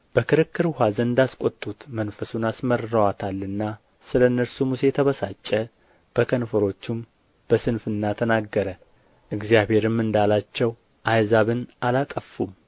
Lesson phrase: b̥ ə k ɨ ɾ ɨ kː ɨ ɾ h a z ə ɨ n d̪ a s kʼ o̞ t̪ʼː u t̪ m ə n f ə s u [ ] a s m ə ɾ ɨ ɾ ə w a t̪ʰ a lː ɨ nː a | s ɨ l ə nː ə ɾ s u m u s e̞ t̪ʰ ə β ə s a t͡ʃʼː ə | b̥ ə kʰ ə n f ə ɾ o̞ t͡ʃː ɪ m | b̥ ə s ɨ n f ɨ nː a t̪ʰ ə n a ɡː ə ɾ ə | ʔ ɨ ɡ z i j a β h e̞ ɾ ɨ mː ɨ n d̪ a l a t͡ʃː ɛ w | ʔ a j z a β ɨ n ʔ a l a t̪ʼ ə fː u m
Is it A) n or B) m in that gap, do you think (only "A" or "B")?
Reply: A